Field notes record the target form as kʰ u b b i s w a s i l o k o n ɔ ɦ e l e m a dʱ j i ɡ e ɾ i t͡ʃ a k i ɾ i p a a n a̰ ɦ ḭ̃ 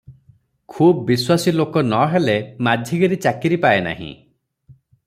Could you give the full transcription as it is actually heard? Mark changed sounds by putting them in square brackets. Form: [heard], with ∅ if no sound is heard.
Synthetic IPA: kʰ u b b i s w a s i l o k [ɔ] n ɔ ɦ e l e m a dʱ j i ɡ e ɾ i t͡ʃ a k i ɾ i p a [e] n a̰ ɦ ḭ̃